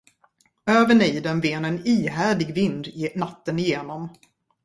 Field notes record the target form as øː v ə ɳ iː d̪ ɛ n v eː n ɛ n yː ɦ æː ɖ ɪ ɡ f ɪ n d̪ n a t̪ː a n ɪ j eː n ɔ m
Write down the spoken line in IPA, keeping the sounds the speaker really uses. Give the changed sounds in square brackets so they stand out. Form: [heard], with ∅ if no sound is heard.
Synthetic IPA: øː v ə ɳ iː d̪ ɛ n v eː n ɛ n [iː] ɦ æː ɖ ɪ ɡ [v] ɪ n d̪ n a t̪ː [ə] n ɪ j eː n ɔ m